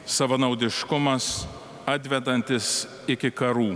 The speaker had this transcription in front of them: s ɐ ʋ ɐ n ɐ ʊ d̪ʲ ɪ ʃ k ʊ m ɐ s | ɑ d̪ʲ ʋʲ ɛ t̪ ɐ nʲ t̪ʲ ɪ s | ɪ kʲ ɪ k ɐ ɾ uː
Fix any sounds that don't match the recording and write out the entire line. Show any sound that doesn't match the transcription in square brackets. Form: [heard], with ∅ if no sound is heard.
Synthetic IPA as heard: s ɐ ʋ ɐ n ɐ ʊ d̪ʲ ɪ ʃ k ʊ m ɐ s | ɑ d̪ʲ ʋʲ ɛ [d̪] ɐ nʲ t̪ʲ ɪ s | ɪ kʲ ɪ k ɐ ɾ uː